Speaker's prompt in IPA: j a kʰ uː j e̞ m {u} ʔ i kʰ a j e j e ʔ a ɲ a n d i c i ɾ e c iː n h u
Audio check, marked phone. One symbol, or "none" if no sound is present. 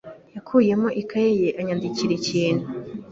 o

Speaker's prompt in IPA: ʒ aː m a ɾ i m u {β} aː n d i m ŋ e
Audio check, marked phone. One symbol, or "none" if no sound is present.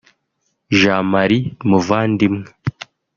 v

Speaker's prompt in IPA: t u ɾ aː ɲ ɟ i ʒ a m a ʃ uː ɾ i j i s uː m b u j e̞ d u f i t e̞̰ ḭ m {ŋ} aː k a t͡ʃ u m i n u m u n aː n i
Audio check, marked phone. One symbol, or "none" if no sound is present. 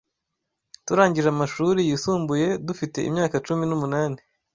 ɲ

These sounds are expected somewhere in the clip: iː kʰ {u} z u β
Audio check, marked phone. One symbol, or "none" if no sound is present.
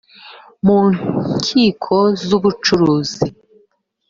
o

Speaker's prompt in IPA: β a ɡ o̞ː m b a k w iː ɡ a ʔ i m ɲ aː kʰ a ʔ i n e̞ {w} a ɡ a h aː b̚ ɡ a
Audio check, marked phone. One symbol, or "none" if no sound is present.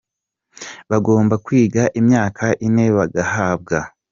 β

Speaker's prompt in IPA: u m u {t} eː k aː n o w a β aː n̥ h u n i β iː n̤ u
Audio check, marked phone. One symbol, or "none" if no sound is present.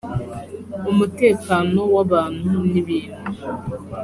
t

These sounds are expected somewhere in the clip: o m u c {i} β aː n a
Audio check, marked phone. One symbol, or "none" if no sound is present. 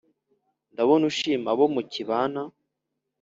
i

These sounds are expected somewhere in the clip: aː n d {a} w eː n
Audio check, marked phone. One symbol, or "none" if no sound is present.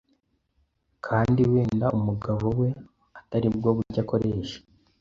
i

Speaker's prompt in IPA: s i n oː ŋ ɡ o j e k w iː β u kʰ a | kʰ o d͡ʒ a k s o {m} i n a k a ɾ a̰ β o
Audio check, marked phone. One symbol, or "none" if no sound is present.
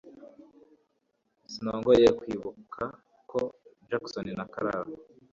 n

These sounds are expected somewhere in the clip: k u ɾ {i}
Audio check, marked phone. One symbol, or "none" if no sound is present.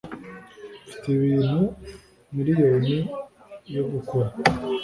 a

